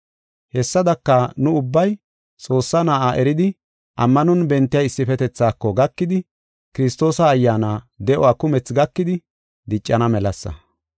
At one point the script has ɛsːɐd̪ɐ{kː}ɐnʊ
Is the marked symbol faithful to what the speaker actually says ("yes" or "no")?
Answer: yes